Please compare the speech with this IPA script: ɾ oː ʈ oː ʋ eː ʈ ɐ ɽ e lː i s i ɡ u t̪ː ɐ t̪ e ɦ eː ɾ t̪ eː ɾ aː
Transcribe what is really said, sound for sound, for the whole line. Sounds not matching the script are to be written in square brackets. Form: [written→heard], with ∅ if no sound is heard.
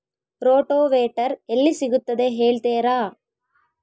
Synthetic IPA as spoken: ɾ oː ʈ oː ʋ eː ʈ ɐ [ɽ→ɾ] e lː i s i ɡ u t̪ː ɐ [t̪→d̪] e ɦ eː [ɾ→ɭ] t̪ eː ɾ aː